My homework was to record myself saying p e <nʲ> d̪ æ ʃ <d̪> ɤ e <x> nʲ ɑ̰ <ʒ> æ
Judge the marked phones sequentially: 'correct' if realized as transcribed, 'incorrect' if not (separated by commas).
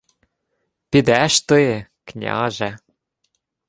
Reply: incorrect, incorrect, incorrect, correct